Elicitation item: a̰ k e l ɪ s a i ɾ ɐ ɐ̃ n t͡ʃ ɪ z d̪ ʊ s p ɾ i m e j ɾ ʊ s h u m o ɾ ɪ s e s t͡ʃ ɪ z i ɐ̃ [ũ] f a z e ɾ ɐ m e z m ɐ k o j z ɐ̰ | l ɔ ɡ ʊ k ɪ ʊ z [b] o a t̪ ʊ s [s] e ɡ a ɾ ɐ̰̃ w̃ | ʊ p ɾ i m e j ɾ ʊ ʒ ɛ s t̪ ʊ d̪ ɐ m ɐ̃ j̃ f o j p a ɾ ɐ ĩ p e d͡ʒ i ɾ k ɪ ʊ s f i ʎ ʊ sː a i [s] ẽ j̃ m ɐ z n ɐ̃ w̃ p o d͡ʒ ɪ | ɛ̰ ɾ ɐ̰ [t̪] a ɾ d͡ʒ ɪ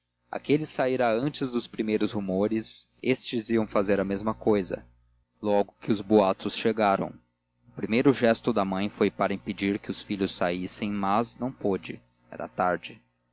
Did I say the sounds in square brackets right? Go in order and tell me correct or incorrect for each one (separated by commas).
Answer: incorrect, correct, incorrect, correct, correct